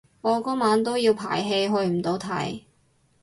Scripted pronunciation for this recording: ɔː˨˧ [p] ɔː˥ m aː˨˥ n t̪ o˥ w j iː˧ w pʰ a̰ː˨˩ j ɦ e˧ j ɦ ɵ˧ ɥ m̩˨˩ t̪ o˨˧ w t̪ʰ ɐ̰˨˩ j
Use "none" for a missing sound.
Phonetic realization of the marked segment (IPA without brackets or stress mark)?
k